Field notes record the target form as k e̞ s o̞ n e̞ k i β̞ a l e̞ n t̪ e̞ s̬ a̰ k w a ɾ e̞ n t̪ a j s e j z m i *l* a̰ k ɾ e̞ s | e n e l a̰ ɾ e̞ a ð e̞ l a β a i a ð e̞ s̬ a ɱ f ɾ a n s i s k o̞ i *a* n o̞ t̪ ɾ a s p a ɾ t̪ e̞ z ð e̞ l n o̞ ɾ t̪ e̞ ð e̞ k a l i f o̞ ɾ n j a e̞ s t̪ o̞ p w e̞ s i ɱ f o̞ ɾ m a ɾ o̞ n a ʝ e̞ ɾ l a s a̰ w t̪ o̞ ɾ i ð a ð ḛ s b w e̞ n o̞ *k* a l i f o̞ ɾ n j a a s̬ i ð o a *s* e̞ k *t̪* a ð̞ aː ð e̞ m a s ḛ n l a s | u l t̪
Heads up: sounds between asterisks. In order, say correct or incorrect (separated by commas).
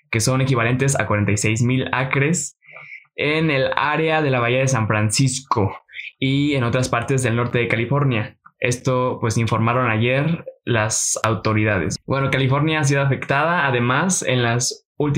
correct, incorrect, correct, incorrect, correct